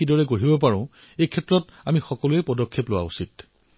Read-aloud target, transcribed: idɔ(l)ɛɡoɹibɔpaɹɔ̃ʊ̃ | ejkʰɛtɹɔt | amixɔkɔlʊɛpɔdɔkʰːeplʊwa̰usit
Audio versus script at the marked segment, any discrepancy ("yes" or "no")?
yes